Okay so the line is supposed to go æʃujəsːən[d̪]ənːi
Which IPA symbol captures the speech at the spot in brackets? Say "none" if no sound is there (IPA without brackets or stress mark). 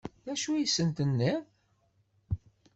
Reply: t̪